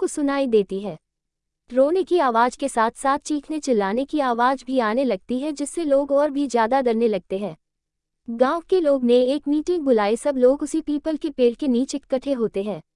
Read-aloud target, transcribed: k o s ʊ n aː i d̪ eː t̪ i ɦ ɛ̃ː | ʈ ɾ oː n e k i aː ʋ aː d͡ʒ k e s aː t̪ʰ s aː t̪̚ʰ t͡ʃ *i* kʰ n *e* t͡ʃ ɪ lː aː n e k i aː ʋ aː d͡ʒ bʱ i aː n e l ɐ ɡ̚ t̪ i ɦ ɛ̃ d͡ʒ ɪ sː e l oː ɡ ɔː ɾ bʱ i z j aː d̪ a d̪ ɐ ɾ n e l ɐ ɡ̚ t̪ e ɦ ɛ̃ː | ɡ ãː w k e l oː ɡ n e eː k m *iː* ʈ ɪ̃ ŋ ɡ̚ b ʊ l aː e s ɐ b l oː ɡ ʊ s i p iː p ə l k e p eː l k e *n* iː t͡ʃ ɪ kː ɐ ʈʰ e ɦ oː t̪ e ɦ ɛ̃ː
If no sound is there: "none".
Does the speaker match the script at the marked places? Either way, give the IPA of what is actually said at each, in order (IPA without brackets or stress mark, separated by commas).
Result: iː, e, iː, n